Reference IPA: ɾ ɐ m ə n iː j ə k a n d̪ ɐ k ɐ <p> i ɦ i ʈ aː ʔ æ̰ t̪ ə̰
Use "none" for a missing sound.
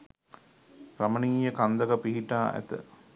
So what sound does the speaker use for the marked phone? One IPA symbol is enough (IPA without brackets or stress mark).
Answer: p